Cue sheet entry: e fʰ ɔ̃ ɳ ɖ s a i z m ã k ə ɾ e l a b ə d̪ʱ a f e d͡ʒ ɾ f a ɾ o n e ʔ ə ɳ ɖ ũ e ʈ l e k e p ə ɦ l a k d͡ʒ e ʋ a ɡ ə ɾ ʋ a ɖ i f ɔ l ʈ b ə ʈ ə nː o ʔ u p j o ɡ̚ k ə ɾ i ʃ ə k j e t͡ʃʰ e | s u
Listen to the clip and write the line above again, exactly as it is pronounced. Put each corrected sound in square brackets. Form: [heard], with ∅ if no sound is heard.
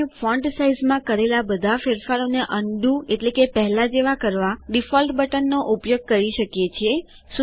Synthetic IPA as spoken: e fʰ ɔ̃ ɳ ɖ s a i z m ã k ə ɾ e l a b ə d̪ʱ a f e [∅] ɾ f a ɾ o n e ʔ ə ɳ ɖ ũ e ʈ l e k e p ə ɦ l a [∅] d͡ʒ e ʋ a [k] ə ɾ ʋ a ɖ i f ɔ l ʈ b ə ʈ ə nː o ʔ u p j o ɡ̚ k ə ɾ i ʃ ə k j e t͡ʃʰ e | s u